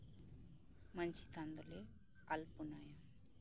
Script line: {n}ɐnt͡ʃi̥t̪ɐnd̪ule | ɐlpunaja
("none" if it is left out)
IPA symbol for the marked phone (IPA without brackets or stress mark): m